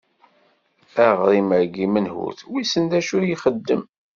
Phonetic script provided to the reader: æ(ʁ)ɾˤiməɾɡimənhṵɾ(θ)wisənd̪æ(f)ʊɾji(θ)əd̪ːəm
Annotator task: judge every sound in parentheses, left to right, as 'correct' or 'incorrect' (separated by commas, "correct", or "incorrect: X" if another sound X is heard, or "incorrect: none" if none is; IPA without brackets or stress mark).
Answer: correct, correct, incorrect: ʃ, incorrect: χ